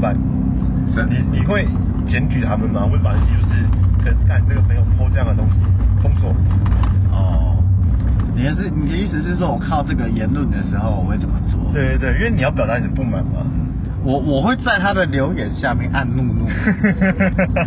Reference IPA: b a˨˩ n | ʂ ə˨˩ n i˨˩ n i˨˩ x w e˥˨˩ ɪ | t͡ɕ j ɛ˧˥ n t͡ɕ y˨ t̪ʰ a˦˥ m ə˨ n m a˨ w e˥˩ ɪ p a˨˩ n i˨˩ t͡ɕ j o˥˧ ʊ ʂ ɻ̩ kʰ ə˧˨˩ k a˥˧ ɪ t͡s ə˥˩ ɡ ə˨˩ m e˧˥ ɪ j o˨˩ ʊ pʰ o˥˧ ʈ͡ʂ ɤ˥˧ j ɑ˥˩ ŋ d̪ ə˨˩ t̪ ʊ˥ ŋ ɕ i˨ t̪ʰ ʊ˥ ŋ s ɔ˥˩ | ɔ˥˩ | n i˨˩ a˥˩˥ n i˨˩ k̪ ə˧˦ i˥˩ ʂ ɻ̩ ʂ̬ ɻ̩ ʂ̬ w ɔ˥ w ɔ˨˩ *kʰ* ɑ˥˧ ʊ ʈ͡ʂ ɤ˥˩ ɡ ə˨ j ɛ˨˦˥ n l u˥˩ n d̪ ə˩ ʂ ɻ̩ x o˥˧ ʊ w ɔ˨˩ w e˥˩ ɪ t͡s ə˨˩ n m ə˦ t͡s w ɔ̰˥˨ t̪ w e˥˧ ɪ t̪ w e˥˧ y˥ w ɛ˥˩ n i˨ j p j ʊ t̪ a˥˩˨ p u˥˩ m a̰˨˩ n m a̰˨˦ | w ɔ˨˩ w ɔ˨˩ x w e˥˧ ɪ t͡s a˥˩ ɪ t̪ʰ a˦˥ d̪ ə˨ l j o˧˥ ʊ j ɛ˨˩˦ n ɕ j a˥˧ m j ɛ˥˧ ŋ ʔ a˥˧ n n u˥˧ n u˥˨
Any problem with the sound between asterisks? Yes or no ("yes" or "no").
no